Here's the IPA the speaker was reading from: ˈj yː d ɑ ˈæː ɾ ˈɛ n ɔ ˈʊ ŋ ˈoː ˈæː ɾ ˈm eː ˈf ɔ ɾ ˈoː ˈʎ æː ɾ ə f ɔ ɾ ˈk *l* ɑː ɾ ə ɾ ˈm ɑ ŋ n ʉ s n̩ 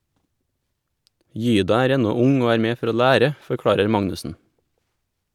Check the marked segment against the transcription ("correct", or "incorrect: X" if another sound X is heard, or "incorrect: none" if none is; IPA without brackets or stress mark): incorrect: ɽ